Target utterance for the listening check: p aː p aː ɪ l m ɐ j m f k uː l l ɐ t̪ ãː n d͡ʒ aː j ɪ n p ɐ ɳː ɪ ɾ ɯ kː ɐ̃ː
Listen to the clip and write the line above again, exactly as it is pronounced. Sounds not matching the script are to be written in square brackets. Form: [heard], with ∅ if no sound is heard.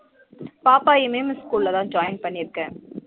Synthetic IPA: p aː p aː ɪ [∅] m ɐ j m [s] k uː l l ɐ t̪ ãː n d͡ʒ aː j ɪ n p ɐ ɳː ɪ ɾ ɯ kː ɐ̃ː